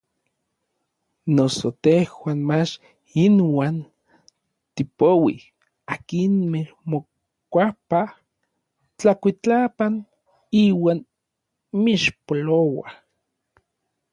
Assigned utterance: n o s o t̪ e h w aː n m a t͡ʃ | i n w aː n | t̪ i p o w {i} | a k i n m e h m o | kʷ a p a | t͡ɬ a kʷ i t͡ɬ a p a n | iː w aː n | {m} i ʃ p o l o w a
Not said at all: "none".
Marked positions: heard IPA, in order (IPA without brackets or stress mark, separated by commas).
i, m